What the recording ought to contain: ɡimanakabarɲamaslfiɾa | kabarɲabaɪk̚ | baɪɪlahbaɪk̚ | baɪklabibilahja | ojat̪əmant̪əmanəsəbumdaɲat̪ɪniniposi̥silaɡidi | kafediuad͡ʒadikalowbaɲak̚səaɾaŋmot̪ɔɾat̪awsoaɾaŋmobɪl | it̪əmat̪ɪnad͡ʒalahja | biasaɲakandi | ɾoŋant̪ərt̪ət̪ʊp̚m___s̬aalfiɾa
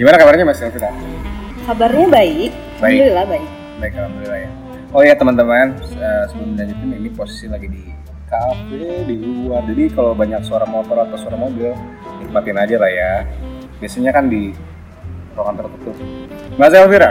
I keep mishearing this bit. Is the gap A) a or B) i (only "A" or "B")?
A